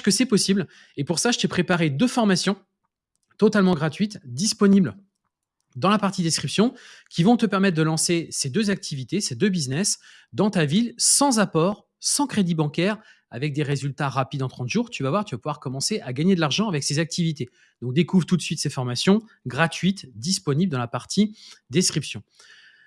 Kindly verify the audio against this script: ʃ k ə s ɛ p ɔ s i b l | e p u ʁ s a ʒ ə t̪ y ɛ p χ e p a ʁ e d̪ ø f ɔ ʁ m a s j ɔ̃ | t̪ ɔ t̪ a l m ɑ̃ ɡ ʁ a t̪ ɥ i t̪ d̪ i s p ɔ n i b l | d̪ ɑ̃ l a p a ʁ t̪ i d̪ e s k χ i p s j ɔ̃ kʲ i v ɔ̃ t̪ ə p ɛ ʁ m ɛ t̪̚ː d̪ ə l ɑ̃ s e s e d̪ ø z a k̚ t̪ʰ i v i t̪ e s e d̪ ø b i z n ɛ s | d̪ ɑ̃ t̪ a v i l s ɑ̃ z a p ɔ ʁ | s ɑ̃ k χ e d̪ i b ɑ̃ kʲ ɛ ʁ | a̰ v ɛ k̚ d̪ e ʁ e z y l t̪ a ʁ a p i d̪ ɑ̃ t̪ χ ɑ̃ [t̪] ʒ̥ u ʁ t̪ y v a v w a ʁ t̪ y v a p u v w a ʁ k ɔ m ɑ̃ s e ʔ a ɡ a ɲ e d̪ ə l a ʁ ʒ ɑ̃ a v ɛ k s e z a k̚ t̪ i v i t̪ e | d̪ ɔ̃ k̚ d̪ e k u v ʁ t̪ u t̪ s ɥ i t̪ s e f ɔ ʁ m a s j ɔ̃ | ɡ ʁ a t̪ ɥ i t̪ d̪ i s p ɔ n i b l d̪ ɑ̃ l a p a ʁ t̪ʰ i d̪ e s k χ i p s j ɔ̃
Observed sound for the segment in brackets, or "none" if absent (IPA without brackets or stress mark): t̪